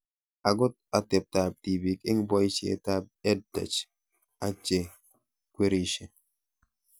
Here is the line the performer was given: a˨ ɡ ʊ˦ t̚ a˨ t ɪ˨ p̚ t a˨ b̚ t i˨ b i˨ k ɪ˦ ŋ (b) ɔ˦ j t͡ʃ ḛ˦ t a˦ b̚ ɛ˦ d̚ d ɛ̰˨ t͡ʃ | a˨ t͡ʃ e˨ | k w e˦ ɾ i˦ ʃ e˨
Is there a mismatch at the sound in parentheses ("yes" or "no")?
no